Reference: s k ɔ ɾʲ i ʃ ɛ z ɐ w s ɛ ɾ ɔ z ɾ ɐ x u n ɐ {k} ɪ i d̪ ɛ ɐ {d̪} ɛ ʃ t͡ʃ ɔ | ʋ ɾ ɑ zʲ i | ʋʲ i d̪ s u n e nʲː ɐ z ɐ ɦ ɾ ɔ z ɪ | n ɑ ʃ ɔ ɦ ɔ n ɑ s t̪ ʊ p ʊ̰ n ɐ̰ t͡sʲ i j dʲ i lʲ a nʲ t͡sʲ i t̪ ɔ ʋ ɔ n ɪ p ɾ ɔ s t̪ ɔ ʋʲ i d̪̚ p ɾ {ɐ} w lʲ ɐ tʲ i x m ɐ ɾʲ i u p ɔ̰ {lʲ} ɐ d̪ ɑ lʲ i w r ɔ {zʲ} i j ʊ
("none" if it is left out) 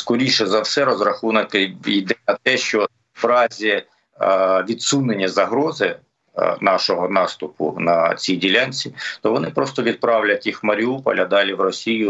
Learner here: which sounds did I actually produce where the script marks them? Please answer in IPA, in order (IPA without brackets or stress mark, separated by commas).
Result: k, t̪, ɑ, lʲ, sʲ